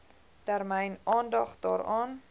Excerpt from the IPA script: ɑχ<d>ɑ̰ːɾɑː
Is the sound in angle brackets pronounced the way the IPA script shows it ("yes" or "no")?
yes